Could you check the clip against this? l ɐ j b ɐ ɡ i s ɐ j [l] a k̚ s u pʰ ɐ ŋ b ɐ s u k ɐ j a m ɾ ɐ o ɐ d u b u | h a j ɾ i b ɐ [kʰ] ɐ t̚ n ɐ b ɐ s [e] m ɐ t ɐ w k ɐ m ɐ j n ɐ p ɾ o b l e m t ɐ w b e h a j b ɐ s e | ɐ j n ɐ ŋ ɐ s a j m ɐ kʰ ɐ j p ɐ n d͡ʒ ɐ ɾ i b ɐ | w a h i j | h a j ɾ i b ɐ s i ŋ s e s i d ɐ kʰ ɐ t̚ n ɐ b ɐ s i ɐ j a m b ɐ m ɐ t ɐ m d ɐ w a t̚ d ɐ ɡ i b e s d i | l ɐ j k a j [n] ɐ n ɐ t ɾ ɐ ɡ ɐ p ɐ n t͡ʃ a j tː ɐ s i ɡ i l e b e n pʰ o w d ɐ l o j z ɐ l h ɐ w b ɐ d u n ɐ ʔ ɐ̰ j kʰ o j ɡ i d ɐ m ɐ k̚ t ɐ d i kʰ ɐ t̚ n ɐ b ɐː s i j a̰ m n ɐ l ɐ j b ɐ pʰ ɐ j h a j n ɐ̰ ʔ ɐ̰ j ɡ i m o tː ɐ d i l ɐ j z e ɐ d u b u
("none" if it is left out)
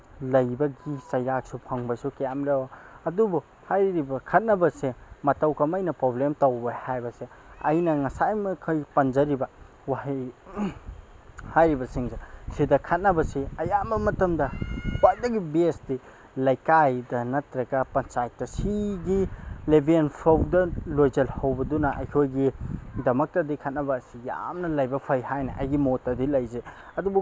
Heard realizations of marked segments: ɾ, kʰ, e, d

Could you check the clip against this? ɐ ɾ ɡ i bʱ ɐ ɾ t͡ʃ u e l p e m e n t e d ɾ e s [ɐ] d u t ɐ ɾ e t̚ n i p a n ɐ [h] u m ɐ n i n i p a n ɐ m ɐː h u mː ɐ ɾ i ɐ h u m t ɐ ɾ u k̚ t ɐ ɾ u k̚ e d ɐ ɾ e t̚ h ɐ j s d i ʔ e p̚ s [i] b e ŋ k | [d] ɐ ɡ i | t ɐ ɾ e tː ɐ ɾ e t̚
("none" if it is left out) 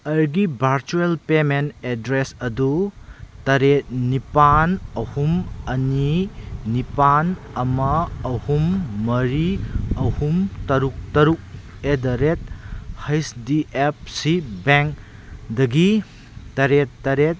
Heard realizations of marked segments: ɐ, h, i, d

